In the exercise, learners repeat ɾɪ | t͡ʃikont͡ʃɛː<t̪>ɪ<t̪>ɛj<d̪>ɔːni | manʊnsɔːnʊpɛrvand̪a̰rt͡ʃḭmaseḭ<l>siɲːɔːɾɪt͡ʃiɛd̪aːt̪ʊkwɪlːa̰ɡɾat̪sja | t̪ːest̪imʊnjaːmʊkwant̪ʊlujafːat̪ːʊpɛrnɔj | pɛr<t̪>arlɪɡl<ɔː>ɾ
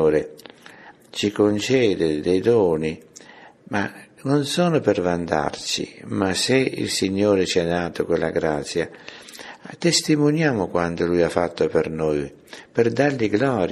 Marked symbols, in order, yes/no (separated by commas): no, no, yes, yes, no, yes